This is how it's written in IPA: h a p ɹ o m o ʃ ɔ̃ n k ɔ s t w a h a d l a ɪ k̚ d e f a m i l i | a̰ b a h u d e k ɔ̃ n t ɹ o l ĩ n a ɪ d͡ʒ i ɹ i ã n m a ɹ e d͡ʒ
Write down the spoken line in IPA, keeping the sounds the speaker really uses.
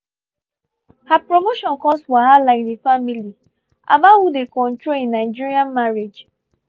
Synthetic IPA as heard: h a p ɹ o m o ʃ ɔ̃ n k ɔ s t w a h a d l a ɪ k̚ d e f a m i l i | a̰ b a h u d e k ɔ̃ n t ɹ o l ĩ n a ɪ d͡ʒ i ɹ i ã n m a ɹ e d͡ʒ